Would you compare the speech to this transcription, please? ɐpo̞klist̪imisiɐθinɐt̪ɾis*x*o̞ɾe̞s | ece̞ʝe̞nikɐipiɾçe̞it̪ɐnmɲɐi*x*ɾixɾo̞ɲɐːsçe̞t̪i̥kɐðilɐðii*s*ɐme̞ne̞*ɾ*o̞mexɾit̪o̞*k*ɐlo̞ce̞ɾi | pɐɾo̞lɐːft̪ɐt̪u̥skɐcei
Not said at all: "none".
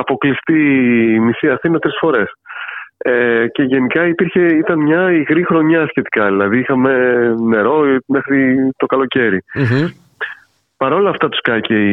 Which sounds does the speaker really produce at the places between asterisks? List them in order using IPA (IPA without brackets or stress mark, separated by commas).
f, ɣ, x, ɾ, k